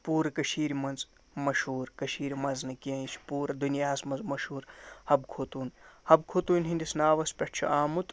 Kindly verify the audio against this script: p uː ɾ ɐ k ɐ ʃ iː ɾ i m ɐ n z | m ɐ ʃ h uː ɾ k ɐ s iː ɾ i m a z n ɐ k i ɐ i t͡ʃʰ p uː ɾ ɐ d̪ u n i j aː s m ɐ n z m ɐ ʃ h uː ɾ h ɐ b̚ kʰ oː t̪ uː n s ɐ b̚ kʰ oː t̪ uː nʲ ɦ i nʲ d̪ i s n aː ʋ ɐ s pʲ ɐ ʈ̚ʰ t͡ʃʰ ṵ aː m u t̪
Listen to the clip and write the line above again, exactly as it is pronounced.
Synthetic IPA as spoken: p uː ɾ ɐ k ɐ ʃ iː ɾ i m ɐ n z | m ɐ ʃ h uː ɾ k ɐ ʃ iː ɾ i m ɐ z n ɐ k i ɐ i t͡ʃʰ p uː ɾ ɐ d̪ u n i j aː s m ɐ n z m ɐ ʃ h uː ɾ h ɐ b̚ kʰ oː t̪ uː n h ɐ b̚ kʰ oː t̪ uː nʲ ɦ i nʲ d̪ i s n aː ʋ ɐ s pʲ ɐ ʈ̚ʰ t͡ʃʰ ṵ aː m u t̪